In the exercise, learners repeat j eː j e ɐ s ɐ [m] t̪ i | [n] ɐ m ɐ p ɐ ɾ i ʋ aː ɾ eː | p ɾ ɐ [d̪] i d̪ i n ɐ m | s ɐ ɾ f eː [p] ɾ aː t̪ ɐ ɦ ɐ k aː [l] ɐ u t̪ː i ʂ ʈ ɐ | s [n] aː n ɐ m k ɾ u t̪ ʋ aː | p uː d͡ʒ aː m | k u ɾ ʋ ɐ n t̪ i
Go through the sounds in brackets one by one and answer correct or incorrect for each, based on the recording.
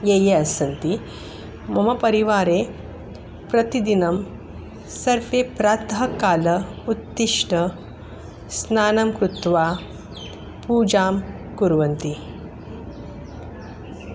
incorrect: n, incorrect: m, incorrect: t̪, correct, correct, correct

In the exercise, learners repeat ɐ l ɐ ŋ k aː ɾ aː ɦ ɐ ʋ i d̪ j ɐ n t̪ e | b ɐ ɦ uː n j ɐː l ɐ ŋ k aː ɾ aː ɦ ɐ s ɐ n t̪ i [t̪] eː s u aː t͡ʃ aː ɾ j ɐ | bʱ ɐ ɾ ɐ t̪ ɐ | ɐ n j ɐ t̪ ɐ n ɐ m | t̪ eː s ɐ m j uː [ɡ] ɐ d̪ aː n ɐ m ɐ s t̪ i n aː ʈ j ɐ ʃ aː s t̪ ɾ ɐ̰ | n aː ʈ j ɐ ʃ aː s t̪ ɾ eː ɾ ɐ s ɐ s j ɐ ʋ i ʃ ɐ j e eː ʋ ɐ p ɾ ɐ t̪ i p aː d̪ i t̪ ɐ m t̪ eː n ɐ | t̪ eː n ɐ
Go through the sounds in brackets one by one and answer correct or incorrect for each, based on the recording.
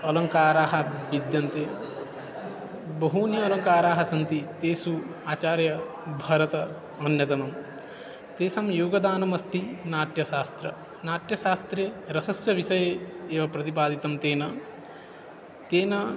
correct, correct

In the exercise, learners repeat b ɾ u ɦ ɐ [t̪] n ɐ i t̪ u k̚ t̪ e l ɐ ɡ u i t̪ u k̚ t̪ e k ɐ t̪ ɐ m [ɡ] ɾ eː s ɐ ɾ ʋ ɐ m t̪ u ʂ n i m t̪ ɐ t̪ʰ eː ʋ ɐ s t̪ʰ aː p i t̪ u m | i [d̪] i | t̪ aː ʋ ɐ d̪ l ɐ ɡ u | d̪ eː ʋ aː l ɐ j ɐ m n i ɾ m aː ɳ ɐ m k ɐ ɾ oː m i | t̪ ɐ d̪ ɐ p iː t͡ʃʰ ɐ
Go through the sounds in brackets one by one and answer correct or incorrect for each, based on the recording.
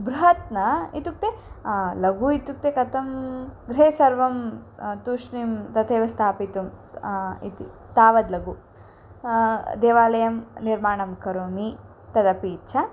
correct, correct, incorrect: t̪

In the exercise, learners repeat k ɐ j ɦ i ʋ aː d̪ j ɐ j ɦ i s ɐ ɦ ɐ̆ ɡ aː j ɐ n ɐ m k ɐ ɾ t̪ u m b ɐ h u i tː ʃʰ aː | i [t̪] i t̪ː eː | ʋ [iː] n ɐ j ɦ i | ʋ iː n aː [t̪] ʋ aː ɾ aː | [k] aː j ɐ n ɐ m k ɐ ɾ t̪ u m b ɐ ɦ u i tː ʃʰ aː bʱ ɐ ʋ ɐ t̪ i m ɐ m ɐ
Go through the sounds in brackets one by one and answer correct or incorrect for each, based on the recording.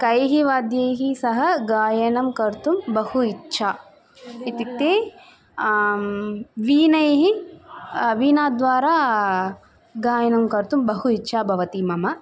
correct, correct, incorrect: d̪, incorrect: ɡ

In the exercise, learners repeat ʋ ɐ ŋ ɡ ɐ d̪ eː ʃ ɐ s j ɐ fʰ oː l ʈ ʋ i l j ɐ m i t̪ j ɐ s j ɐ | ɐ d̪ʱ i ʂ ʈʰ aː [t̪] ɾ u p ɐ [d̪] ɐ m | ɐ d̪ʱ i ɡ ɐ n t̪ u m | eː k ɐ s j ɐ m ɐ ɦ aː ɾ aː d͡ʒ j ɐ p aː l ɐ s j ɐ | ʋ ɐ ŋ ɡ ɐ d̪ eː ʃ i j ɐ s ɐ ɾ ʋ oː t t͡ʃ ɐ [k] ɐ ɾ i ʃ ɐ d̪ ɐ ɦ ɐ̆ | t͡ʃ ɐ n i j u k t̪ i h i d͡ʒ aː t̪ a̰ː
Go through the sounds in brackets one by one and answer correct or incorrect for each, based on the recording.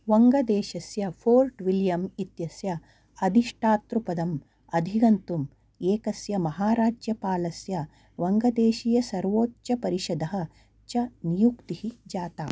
correct, correct, incorrect: p

